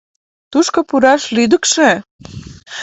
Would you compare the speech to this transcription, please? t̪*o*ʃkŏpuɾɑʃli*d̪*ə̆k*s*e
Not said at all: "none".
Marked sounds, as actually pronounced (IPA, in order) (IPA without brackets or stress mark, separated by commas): u, d̪, ʃ